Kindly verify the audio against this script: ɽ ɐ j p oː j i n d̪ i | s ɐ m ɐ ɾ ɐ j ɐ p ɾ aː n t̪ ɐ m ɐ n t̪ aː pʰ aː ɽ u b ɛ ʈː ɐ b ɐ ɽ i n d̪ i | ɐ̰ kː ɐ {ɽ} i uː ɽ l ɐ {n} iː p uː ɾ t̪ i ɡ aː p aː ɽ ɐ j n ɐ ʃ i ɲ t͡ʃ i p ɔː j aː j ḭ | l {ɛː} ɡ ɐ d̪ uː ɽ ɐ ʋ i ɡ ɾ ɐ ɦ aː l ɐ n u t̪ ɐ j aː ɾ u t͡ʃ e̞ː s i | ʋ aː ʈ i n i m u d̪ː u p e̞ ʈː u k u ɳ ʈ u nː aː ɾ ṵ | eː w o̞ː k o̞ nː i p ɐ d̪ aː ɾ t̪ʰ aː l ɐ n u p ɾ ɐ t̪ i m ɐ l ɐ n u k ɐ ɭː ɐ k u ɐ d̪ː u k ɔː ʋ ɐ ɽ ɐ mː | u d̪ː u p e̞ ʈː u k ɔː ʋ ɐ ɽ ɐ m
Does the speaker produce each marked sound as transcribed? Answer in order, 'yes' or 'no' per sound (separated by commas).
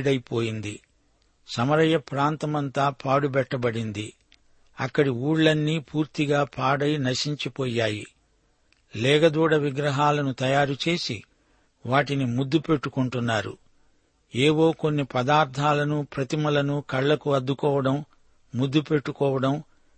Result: yes, no, yes